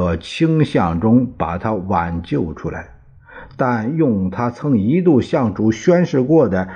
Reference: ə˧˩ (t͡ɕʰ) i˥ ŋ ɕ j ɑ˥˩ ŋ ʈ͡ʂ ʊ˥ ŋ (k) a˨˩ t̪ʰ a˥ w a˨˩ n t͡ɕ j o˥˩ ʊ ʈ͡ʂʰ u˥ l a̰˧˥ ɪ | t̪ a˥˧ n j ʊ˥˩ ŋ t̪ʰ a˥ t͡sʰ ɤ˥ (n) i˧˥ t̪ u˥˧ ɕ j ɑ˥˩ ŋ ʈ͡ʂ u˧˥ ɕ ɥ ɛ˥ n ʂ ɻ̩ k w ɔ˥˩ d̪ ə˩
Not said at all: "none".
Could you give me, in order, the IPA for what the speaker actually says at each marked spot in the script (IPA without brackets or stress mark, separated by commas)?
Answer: t͡ɕʰ, p, ŋ